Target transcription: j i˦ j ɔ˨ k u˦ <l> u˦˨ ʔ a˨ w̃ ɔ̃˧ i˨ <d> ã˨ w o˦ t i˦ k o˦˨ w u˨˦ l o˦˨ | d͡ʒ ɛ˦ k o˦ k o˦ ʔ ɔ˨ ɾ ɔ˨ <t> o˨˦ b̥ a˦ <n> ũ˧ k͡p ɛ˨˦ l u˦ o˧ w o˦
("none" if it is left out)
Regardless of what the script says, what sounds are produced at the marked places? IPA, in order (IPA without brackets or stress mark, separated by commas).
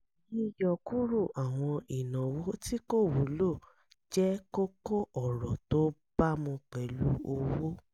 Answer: ɾ, n, t, m